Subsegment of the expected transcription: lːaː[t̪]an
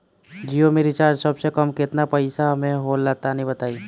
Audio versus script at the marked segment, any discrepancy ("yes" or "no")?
no